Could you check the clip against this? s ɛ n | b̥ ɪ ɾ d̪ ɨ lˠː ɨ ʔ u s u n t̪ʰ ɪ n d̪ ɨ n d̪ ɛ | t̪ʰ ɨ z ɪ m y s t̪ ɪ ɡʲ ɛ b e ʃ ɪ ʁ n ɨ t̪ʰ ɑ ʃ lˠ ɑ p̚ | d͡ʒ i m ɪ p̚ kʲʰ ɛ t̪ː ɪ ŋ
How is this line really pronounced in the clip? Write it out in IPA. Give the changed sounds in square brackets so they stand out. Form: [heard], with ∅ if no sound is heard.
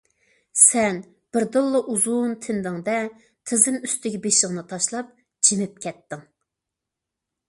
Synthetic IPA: s ɛ n | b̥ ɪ ɾ d̪ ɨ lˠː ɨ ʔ u [z] u n t̪ʰ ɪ n d̪ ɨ [ŋ] d̪ ɛ | t̪ʰ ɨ z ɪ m y s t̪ ɪ ɡʲ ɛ b e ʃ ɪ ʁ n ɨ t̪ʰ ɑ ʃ lˠ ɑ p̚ | d͡ʒ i m ɪ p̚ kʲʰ ɛ t̪ː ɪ ŋ